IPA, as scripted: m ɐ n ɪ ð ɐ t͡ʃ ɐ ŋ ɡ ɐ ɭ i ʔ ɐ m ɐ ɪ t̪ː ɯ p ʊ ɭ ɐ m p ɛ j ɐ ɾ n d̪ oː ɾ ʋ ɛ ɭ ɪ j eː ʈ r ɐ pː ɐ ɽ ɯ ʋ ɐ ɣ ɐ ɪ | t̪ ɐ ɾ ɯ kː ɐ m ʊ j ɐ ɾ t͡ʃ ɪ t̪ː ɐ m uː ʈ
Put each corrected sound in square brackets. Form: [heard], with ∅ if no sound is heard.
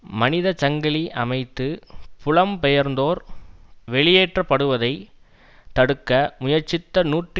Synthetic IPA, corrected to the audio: m ɐ n ɪ ð ɐ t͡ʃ ɐ ŋ ɡ ɐ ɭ i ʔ ɐ m ɐ ɪ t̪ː ɯ p ʊ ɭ ɐ m p ɛ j ɐ ɾ n d̪ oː ɾ ʋ ɛ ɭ ɪ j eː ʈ r ɐ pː ɐ ɽ ɯ ʋ ɐ [ð] ɐ ɪ | t̪ ɐ [ɽ] ɯ kː ɐ m ʊ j ɐ ɾ t͡ʃ ɪ t̪ː ɐ [n] uː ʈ